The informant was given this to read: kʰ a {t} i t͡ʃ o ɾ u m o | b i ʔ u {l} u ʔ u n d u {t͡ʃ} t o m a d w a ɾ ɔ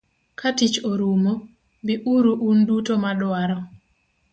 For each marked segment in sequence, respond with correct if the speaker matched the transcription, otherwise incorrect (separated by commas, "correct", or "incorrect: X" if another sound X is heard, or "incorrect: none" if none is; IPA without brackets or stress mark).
correct, incorrect: ɾ, incorrect: none